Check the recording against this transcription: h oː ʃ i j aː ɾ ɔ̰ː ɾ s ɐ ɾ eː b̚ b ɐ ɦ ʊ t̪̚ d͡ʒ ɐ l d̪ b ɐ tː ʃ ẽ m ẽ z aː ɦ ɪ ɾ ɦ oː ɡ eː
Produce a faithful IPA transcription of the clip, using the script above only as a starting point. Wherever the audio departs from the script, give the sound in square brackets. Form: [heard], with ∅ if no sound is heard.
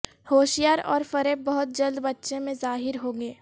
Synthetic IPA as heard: h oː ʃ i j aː ɾ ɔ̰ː ɾ [f] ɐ ɾ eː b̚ b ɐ ɦ ʊ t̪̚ d͡ʒ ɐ l d̪ b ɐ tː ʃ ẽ m ẽ z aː ɦ ɪ ɾ ɦ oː ɡ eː